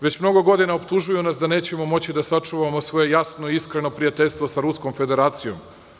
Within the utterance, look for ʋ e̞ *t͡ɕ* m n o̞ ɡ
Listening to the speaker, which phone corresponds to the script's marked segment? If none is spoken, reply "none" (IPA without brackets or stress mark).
t͡ɕ